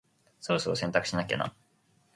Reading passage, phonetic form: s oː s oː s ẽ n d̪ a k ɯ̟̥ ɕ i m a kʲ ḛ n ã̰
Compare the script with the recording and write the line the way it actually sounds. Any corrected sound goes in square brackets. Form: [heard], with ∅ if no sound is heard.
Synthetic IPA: s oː s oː s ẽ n [t̪] a k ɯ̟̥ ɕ i [n] a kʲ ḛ n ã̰